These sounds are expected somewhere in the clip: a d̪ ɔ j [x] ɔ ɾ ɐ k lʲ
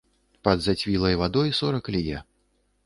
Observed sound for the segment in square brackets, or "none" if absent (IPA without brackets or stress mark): s